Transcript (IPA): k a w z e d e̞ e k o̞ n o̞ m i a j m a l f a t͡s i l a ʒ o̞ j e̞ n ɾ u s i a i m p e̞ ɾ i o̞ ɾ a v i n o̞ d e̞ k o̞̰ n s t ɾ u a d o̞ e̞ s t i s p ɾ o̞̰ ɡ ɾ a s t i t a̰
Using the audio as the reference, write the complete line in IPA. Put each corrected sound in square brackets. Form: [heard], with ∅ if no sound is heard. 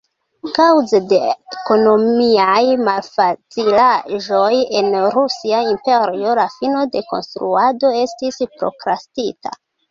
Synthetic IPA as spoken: k a w z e d e̞ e k o̞ n o̞ m i a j m a l f a t͡s i l a ʒ o̞ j e̞ n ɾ u s i a i m p e̞ ɾ i o̞ [l] a [f] i n o̞ d e̞ k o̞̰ n s t ɾ u a d o̞ e̞ s t i s p ɾ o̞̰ [k] ɾ a s t i t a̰